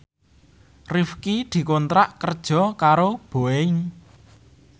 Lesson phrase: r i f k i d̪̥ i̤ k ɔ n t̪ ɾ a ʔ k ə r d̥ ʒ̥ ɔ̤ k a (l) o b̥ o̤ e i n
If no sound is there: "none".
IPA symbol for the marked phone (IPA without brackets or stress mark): ɾ